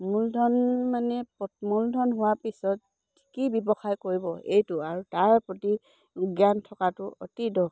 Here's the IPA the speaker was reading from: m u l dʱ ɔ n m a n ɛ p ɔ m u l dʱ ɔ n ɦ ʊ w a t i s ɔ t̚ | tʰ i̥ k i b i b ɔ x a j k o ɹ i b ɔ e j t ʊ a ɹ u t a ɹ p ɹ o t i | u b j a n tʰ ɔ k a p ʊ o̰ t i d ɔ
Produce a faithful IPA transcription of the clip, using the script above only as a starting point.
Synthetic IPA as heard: m u l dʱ ɔ n m a n ɛ p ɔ m u l dʱ ɔ n ɦ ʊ w a p i s ɔ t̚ | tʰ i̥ k i b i b ɔ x a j k o ɹ i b ɔ e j t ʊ a ɹ u t a ɹ p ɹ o t i | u ɡ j a n tʰ ɔ k a t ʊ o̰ t i d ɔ